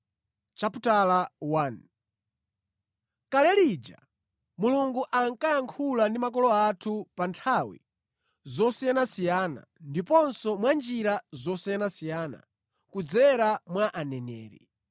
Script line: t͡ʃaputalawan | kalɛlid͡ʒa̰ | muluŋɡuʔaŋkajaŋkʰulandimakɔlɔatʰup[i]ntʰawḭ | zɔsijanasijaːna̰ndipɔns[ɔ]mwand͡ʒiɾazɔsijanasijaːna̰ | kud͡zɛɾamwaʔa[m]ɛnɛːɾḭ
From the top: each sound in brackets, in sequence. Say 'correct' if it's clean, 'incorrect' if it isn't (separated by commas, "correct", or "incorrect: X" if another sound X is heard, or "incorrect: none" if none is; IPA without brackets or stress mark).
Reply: incorrect: a, correct, incorrect: n